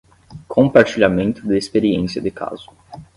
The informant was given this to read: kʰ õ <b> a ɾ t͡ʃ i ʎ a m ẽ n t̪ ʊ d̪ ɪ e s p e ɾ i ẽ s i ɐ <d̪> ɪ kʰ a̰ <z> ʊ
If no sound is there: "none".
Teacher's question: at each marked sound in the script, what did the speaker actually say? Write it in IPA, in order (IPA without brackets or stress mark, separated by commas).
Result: p, d̪, z